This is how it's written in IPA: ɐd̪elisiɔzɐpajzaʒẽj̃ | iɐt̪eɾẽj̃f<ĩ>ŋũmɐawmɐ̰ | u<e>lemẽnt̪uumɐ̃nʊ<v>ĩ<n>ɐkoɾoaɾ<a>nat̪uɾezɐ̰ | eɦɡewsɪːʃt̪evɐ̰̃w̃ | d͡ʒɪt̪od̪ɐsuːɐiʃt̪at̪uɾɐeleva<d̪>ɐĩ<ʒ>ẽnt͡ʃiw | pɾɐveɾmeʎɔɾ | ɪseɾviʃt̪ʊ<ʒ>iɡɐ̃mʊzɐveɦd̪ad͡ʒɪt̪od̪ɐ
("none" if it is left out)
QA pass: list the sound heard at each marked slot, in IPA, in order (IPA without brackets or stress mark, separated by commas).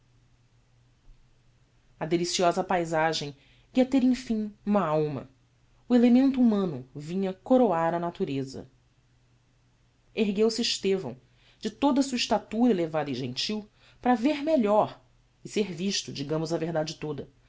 ĩ, e, v, ɲ, ɐ, d̪, ʒ, d͡ʒ